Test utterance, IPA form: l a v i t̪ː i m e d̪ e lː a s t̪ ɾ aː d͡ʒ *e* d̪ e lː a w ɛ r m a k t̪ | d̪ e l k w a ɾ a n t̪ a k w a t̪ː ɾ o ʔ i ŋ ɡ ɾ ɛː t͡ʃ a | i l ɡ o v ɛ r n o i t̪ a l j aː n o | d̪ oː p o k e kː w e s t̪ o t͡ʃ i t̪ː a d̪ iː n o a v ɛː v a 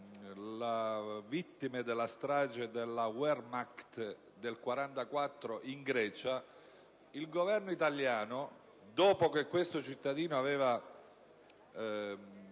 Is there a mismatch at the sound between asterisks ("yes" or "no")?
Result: no